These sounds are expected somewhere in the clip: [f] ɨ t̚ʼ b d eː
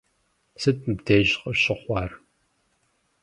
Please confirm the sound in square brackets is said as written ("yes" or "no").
no